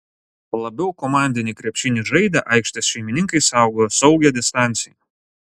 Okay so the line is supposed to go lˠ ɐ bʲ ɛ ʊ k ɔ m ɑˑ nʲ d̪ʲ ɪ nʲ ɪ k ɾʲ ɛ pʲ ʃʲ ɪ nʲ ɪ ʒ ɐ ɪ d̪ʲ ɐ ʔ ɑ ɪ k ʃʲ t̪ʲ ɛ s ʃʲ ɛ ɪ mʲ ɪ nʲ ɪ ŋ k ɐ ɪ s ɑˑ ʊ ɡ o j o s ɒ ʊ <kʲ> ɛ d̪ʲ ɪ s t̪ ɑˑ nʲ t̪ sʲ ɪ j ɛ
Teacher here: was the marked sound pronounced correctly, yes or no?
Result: no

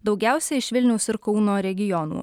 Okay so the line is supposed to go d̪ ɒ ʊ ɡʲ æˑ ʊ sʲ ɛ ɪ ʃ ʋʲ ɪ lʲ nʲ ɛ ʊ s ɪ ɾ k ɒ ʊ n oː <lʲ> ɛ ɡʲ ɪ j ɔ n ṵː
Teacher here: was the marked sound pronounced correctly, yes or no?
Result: no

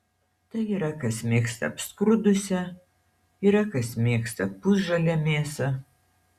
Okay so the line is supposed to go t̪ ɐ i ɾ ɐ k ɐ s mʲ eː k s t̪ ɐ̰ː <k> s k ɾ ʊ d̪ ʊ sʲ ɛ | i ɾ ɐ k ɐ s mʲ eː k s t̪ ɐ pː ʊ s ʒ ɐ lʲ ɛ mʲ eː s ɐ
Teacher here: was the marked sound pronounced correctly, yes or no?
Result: no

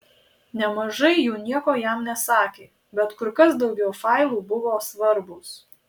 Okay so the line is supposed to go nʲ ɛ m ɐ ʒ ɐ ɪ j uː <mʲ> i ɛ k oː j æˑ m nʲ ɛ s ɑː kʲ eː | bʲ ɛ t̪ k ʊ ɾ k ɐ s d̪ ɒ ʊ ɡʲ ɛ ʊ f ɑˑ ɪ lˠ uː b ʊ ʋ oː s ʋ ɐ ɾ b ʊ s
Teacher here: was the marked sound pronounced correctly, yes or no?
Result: no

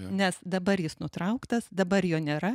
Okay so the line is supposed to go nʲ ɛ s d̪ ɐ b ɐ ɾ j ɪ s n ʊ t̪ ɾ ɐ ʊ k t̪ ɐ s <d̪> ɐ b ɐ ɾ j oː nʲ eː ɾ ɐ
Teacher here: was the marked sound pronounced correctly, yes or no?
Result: yes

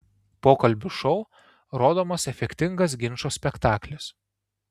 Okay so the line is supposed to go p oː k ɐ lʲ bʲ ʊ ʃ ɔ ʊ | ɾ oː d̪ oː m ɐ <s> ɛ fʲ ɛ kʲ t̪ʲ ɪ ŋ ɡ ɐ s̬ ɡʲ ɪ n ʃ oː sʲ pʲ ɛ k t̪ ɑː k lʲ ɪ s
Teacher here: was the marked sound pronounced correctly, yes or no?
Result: yes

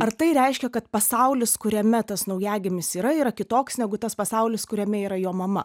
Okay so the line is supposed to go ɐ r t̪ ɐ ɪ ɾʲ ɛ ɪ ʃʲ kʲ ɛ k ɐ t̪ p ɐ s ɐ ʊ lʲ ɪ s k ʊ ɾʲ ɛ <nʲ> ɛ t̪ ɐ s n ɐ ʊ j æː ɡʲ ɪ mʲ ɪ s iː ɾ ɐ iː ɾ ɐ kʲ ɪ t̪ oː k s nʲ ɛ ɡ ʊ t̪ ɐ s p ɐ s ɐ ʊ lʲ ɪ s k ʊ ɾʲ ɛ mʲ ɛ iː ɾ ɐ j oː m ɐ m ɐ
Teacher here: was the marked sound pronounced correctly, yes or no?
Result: no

